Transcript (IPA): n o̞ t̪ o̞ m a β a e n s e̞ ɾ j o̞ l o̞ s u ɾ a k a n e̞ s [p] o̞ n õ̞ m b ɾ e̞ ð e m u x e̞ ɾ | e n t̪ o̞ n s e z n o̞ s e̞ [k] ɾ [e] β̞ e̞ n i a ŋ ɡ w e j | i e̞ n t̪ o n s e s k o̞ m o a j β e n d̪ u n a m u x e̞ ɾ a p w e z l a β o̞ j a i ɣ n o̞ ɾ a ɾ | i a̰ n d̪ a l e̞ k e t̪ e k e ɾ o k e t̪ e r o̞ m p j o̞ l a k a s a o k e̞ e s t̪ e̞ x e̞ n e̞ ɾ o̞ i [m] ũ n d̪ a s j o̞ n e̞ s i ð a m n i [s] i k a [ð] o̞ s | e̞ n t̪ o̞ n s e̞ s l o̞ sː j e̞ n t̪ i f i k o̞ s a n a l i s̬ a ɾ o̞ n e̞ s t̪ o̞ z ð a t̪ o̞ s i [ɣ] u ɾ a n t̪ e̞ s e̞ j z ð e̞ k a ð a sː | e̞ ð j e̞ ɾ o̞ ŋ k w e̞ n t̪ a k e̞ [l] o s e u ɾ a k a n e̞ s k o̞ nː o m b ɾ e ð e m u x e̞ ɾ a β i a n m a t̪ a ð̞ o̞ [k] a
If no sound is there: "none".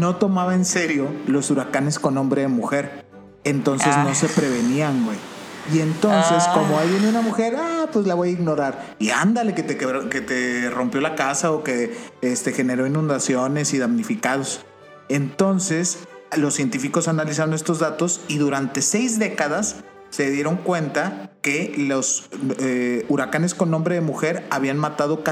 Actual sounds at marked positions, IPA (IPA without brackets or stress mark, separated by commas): k, p, e, n, f, ð, ð, l, k